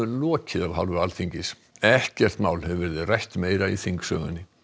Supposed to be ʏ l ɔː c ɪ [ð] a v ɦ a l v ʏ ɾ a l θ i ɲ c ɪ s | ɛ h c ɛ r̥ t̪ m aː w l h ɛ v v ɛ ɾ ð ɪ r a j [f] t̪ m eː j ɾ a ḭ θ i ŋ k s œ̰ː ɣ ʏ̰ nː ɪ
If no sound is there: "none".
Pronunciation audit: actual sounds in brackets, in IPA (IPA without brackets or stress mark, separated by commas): ð, h